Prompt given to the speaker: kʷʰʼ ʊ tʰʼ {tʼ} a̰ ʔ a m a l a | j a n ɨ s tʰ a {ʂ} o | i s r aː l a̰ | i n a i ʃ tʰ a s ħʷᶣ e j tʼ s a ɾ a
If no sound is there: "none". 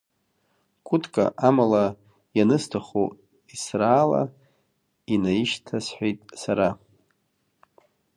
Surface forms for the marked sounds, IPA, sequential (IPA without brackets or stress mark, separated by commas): kʼ, χ